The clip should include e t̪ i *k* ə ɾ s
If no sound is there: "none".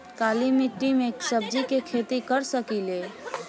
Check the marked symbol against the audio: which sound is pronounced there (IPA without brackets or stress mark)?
k